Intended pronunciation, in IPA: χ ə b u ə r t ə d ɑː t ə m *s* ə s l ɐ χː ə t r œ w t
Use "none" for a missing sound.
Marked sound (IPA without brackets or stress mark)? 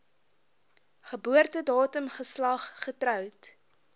χ